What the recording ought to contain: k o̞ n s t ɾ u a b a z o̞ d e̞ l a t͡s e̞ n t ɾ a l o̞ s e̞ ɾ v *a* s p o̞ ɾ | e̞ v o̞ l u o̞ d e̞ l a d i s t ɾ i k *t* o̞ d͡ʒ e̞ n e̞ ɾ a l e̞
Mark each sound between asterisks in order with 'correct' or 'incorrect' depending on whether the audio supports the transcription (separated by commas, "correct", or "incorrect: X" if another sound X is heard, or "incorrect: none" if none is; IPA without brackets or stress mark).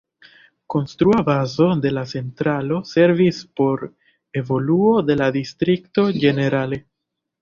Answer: incorrect: i, correct